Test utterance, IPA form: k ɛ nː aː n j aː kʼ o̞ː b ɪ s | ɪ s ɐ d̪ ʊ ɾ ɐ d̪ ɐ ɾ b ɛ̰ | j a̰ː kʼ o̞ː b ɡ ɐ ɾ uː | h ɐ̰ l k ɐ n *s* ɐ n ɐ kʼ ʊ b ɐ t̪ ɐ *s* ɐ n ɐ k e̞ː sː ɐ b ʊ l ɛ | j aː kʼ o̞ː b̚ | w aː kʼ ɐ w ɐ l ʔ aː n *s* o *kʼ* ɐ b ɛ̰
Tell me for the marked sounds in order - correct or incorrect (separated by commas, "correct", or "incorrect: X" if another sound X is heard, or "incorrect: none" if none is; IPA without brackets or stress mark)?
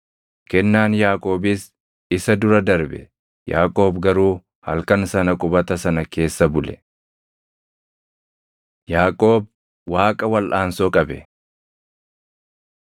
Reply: correct, correct, correct, correct